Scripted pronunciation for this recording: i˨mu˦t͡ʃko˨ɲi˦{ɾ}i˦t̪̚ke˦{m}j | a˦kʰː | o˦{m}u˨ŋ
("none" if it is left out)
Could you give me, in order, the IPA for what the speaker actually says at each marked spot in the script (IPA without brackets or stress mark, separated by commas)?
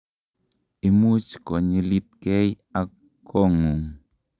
l, none, ŋ